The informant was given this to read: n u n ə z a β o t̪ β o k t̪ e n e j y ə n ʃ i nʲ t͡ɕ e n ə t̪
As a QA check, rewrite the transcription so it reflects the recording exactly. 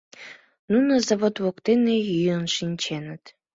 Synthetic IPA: n u n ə z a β o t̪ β o k t̪ e n e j y ə n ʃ i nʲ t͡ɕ e n ə t̪